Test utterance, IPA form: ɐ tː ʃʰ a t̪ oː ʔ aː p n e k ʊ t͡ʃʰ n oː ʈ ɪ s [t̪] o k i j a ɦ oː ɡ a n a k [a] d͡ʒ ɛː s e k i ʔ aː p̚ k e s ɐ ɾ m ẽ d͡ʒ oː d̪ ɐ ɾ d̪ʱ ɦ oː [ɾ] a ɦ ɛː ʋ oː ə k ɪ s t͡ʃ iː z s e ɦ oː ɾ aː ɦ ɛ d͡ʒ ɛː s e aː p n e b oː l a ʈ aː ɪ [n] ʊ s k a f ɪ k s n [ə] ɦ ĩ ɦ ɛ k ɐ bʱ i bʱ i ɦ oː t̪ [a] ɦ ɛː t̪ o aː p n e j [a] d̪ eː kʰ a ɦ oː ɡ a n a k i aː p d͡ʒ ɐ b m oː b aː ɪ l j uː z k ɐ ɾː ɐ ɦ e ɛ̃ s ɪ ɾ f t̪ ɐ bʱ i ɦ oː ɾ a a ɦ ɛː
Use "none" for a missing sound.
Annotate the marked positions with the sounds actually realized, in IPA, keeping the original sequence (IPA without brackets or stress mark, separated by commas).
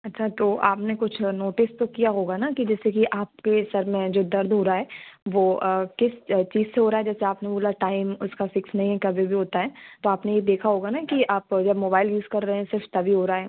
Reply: t̪, i, ɾ, m, ɐ, a, e